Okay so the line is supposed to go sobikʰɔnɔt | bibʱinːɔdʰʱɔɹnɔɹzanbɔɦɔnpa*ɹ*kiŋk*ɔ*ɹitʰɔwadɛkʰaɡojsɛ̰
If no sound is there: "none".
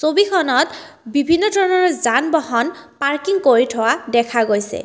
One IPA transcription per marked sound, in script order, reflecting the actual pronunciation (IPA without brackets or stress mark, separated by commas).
ɹ, o